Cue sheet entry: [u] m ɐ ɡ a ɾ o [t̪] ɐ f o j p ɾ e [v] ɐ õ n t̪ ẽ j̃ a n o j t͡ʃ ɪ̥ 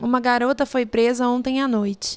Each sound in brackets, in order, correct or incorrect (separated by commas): incorrect, correct, incorrect